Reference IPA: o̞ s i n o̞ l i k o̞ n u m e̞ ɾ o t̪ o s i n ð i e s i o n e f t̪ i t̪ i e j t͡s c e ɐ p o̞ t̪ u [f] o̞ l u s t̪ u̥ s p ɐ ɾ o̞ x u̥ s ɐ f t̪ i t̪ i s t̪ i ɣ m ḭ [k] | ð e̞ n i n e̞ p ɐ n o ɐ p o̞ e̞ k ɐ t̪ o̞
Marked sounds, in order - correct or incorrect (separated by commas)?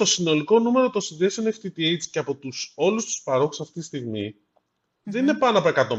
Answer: incorrect, incorrect